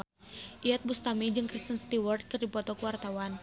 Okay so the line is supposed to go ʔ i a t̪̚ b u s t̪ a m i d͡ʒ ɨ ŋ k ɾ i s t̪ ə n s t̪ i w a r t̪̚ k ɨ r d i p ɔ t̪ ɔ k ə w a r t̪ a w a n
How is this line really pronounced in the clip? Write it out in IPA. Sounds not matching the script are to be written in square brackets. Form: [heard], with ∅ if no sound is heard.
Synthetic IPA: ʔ i a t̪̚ b u s t̪ a m i d͡ʒ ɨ ŋ k ɾ i s t̪ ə n s t̪ i w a r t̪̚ k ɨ r d i p ɔ t̪ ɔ k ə w a r t̪ a w a n